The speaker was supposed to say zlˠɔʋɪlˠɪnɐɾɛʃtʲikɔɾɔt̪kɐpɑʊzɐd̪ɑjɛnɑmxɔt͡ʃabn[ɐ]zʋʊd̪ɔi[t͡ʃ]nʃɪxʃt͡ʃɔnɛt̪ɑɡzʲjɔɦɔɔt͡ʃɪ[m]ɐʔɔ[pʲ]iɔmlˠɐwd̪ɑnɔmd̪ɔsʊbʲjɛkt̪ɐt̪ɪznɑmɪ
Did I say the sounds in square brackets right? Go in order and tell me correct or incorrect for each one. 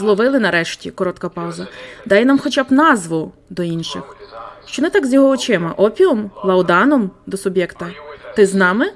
incorrect, incorrect, correct, correct

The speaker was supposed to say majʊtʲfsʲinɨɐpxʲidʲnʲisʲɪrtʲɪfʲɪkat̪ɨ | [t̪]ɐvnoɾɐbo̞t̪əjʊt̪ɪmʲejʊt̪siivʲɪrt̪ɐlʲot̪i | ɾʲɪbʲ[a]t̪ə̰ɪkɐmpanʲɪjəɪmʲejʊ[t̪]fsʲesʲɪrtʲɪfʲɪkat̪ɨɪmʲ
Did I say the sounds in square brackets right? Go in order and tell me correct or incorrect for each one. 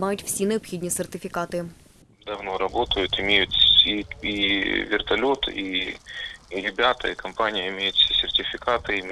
incorrect, correct, correct

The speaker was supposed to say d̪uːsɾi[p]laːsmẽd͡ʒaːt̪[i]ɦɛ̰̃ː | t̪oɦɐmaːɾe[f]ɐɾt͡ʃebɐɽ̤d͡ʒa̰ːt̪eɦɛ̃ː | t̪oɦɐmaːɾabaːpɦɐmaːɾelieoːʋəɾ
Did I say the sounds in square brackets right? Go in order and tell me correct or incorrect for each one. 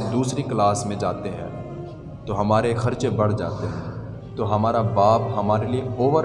incorrect, incorrect, incorrect

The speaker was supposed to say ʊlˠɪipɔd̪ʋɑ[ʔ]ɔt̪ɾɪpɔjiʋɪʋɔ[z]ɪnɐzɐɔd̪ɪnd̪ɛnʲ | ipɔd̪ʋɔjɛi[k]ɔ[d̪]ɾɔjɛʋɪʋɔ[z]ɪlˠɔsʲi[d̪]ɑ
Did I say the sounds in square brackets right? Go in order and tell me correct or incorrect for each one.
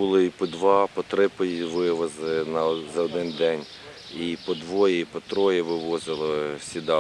incorrect, correct, incorrect, incorrect, correct, correct

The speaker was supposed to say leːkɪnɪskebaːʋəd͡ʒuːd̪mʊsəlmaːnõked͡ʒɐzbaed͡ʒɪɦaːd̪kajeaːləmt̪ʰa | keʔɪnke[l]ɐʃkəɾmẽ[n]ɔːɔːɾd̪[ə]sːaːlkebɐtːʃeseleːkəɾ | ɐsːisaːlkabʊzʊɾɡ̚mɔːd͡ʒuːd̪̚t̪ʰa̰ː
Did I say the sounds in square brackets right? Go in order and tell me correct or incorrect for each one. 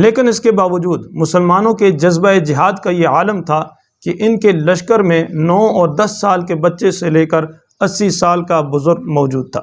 correct, correct, incorrect

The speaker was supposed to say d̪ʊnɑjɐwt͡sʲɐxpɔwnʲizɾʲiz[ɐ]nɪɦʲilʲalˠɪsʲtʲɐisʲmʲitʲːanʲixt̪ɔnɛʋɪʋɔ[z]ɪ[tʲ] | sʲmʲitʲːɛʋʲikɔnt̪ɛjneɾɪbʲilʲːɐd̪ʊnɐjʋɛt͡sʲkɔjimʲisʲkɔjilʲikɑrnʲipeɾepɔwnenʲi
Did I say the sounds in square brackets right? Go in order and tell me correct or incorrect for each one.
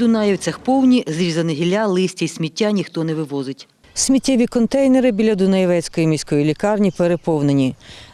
correct, correct, correct

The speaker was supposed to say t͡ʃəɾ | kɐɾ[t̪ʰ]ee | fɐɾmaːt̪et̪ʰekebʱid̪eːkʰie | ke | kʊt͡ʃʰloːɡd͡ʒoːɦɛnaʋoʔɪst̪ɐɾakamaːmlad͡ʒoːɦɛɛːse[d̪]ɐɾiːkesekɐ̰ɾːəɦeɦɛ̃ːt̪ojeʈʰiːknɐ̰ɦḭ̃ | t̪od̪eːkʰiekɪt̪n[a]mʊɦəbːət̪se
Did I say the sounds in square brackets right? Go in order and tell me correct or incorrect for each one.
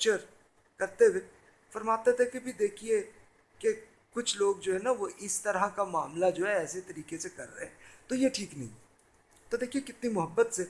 incorrect, incorrect, incorrect

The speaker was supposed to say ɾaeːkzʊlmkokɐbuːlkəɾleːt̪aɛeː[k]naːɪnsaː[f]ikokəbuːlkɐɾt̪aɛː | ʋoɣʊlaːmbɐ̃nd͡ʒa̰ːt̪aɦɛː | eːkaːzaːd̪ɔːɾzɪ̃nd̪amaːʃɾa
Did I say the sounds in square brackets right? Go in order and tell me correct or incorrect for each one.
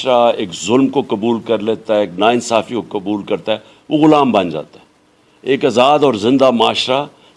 correct, correct

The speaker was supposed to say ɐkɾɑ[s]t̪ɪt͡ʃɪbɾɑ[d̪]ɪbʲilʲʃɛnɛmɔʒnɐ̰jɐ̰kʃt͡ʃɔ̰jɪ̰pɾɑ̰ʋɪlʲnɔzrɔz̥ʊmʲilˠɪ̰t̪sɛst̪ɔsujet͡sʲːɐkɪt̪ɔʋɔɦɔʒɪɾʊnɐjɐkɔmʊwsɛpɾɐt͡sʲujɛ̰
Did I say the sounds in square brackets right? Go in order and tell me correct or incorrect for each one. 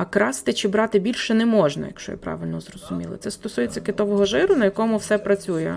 correct, incorrect

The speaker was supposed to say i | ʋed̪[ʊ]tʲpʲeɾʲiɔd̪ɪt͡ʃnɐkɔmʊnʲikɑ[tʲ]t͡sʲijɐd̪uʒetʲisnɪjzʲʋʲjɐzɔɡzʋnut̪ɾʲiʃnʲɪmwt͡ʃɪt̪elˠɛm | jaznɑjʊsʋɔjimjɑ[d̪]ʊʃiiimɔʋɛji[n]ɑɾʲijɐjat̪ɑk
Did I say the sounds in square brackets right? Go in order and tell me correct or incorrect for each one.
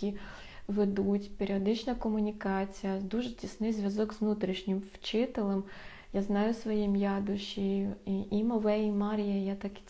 incorrect, incorrect, correct, incorrect

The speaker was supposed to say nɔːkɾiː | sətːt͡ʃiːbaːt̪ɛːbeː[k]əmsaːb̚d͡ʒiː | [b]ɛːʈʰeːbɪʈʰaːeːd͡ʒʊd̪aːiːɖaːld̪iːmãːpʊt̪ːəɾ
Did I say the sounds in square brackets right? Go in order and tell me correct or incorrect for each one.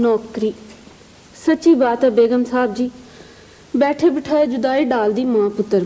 incorrect, correct

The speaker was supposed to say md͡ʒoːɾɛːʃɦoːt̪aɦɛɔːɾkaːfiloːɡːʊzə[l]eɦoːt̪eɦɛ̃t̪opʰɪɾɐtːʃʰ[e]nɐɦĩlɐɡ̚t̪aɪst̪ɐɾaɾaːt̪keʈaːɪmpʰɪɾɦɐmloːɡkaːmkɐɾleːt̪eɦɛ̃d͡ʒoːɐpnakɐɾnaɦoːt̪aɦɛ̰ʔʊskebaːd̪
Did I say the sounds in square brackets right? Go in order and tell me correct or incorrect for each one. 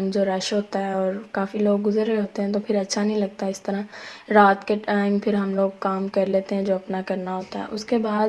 incorrect, incorrect

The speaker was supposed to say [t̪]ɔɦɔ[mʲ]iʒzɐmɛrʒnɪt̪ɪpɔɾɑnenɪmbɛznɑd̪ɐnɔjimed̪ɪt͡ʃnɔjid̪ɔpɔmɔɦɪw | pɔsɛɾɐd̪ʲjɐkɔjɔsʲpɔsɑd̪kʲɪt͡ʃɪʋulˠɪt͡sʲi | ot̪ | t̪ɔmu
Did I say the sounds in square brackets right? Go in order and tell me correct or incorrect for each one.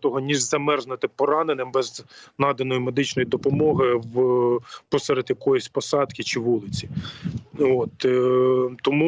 correct, incorrect

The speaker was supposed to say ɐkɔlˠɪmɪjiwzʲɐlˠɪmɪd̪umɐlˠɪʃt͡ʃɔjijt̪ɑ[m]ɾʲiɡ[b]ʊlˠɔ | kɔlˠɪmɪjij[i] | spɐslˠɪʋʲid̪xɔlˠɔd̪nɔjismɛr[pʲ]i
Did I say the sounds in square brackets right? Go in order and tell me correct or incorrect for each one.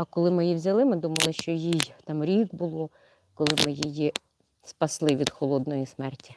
correct, correct, correct, incorrect

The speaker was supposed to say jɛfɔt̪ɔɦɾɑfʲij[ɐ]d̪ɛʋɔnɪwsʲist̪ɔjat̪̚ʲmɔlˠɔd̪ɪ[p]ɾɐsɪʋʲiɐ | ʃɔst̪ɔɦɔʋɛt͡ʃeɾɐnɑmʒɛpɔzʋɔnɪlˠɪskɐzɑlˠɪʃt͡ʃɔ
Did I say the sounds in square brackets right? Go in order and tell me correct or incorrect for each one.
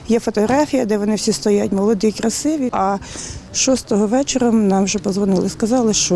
correct, incorrect

